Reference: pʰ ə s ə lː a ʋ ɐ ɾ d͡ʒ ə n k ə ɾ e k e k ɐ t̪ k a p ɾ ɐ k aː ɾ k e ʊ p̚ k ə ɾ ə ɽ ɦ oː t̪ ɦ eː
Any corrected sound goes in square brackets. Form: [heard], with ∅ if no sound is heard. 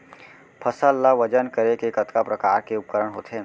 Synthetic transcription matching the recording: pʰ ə s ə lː a ʋ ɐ [∅] d͡ʒ ə n k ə ɾ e k e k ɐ t̪ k a p ɾ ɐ k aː ɾ k e ʊ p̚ k ə ɾ ə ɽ ɦ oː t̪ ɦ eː